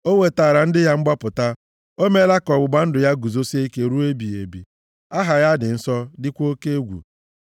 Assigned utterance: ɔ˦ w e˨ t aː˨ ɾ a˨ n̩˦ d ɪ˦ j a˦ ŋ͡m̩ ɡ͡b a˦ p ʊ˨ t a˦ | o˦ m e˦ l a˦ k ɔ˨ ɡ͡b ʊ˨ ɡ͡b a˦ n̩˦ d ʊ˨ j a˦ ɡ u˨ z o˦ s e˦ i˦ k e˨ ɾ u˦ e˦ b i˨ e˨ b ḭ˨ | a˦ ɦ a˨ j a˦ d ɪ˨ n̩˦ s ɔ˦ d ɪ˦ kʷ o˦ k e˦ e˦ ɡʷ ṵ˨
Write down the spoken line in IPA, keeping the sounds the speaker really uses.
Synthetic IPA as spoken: o˦ w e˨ t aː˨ ɾ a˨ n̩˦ d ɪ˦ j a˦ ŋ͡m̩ ɡ͡b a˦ p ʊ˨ t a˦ | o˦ m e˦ l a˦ k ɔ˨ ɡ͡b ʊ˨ ɡ͡b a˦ n̩˦ d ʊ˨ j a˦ ɡ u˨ z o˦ s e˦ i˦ k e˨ ɾ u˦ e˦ b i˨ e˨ b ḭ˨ | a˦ ɦ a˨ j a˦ d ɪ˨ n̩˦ s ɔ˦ d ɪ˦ kʷ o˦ k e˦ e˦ ɡʷ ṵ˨